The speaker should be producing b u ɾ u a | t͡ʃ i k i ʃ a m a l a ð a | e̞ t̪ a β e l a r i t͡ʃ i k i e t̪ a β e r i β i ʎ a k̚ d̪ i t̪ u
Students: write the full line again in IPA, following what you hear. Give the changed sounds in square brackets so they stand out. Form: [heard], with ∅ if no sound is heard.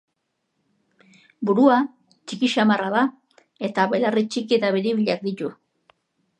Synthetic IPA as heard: b u ɾ u a | t͡ʃ i k i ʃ a m a [r] a ð a | e̞ t̪ a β e l a r i t͡ʃ i k i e t̪ a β e [ɾ] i β i ʎ a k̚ d̪ i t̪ u